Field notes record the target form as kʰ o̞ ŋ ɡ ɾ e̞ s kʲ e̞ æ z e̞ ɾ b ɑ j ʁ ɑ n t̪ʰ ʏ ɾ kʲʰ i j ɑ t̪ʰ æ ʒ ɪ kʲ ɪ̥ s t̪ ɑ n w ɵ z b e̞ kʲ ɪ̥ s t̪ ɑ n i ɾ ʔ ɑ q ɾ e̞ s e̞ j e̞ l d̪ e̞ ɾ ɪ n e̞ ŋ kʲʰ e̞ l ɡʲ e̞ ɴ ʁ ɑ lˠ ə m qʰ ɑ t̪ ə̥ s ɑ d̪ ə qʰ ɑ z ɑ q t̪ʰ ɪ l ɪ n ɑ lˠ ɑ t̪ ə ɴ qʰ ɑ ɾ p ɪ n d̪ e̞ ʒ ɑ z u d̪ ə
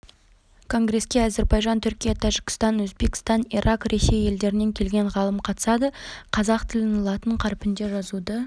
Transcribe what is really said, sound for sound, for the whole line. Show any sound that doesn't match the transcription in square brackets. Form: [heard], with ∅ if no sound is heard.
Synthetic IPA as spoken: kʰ o̞ ŋ ɡ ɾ e̞ s kʲ e̞ æ z e̞ ɾ b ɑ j [ʒ] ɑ n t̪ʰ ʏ ɾ [kʲ] i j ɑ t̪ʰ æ ʒ ɪ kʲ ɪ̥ s t̪ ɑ n w ɵ z b e̞ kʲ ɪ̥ s t̪ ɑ n i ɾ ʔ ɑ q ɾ e̞ s e̞ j e̞ l d̪ e̞ ɾ ɪ n e̞ ŋ kʲʰ e̞ l ɡʲ e̞ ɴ ʁ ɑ lˠ ə m qʰ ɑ t̪ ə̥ s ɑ d̪ ə qʰ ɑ z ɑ q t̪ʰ ɪ l ɪ n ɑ lˠ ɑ t̪ ə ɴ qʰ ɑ ɾ p ɪ n d̪ e̞ ʒ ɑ z u d̪ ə